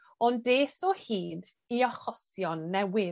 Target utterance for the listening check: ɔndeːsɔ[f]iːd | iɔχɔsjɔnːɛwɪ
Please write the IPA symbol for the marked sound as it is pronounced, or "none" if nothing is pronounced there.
h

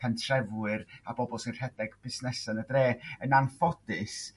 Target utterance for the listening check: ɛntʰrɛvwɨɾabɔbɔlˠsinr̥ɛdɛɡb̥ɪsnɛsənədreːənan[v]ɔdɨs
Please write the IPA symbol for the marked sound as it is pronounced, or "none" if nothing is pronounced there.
f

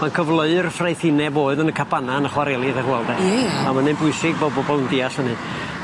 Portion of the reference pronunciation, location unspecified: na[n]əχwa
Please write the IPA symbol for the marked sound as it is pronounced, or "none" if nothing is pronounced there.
n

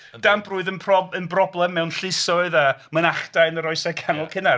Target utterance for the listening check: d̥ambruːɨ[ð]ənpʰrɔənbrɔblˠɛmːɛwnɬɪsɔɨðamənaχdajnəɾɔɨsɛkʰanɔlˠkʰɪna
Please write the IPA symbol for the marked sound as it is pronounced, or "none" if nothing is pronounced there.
ð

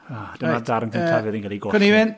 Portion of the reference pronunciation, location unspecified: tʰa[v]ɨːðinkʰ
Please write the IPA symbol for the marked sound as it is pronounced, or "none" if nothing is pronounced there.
v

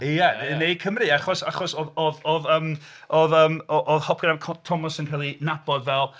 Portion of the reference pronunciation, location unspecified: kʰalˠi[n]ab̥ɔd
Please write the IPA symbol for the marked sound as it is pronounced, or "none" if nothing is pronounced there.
n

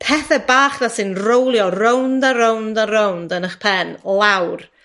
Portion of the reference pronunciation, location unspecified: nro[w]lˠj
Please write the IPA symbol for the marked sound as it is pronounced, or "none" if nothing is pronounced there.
w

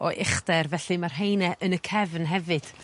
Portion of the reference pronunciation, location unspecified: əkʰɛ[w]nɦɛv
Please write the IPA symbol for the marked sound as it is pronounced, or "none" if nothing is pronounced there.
v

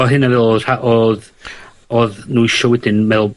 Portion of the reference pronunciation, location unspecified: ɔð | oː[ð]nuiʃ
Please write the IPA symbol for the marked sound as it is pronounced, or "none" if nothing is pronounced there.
ð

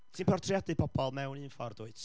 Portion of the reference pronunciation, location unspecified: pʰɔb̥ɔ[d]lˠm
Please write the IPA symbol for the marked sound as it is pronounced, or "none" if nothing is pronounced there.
none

